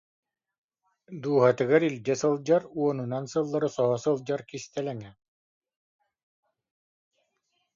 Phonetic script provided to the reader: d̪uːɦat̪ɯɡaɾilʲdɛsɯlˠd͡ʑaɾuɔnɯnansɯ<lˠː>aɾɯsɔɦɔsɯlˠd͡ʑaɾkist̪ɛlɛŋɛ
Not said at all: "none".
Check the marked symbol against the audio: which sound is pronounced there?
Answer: lˠː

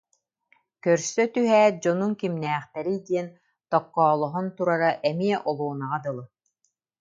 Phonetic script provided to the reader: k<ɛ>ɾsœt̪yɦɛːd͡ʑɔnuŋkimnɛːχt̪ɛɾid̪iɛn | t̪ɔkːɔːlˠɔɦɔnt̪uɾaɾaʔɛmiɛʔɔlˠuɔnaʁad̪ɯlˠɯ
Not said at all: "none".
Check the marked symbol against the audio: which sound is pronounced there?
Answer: œ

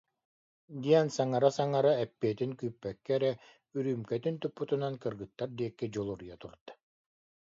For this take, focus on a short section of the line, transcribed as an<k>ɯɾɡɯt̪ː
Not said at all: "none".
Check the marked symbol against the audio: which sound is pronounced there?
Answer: k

